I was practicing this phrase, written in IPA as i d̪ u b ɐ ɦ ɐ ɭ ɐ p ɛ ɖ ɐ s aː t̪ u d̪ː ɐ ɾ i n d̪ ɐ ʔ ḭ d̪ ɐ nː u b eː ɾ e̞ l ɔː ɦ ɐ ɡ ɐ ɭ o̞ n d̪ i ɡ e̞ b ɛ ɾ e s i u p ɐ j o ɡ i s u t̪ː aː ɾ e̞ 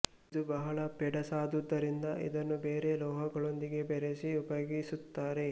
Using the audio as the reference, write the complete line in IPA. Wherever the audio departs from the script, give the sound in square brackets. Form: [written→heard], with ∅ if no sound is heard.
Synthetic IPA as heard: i d̪ u b ɐ ɦ ɐ ɭ ɐ p ɛ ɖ ɐ s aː [t̪→d̪] u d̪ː ɐ ɾ i n d̪ ɐ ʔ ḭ d̪ ɐ nː u b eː ɾ e̞ l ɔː ɦ ɐ ɡ ɐ ɭ o̞ n d̪ i ɡ e̞ b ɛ ɾ e s i u p ɐ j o ɡ i s u t̪ː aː ɾ e̞

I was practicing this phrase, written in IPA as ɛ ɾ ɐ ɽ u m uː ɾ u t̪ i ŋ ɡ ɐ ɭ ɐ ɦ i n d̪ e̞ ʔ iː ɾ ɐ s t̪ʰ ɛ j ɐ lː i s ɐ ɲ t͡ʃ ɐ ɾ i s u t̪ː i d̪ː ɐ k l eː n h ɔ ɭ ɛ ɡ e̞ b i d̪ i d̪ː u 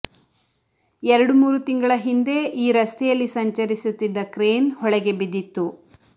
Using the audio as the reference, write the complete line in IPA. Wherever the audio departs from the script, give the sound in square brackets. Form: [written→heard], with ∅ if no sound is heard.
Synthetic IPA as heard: ɛ ɾ ɐ ɽ u m uː ɾ u t̪ i ŋ ɡ ɐ ɭ ɐ ɦ i n d̪ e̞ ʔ iː ɾ ɐ s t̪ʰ ɛ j ɐ lː i s ɐ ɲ t͡ʃ ɐ ɾ i s u t̪ː i d̪ː ɐ k [l→ɾ] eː n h ɔ ɭ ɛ ɡ e̞ b i d̪ i [d̪ː→t̪ː] u

